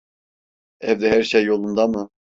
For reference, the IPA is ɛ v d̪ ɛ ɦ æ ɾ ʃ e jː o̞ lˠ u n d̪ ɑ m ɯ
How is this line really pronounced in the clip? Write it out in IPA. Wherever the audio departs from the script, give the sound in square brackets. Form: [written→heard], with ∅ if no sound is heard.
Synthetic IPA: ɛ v d̪ ɛ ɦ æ ɾ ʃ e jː o̞ lˠ u n d̪ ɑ m ɯ